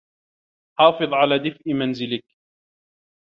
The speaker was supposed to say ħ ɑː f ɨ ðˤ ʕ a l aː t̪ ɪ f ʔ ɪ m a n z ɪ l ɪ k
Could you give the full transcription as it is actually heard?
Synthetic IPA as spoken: ħ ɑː f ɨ ðˤ ʕ a l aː d̪ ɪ f ʔ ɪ m a n z ɪ l ɪ k